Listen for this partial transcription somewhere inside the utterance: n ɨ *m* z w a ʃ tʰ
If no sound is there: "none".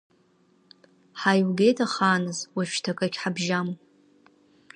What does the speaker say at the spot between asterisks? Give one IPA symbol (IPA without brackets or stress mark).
none